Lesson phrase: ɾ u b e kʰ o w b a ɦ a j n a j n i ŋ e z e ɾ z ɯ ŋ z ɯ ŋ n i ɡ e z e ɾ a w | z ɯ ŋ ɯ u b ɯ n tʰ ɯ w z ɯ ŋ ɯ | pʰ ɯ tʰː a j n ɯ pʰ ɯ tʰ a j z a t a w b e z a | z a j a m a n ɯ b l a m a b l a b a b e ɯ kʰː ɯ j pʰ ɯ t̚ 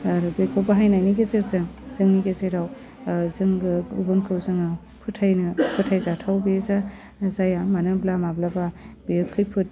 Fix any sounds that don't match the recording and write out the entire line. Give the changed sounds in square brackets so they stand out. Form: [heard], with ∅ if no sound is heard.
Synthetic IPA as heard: ɾ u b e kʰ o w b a ɦ a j n a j n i [ɡ] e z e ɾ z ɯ ŋ z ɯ ŋ n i ɡ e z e ɾ a w | z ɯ ŋ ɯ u b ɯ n [kʰ] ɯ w z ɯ ŋ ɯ | pʰ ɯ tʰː a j n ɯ pʰ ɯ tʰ a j z a [tʰ] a w b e z a | z a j a m a n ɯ b l a m a b l a b a b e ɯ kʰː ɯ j pʰ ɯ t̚